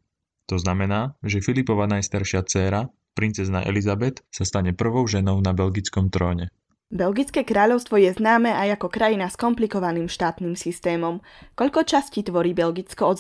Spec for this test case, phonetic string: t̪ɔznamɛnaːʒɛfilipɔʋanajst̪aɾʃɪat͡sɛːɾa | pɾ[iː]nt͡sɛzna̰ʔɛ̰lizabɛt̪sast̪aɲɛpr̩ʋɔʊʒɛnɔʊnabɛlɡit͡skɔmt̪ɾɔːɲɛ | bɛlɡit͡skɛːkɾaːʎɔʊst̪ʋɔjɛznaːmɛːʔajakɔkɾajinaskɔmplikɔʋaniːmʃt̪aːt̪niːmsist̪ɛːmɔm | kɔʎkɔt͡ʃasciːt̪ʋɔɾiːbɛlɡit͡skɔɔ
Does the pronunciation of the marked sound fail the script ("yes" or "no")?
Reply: yes